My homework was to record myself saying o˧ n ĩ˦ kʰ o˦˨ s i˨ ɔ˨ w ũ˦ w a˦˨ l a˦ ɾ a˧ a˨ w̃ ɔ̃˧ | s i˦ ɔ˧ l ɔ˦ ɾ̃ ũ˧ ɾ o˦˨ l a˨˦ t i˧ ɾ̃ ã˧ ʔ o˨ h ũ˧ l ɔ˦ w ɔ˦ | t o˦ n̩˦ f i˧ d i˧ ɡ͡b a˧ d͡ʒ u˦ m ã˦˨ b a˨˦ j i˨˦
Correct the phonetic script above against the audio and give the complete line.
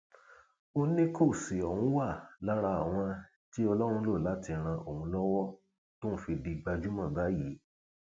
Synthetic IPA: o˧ n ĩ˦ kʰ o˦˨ s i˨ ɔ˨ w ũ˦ w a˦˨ l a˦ ɾ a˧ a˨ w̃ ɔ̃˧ | t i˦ ɔ˧ l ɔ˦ ɾ̃ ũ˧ l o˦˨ l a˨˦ t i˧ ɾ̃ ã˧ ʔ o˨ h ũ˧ l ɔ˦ w ɔ˦ | t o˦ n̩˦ f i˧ d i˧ ɡ͡b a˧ d͡ʒ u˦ m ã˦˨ b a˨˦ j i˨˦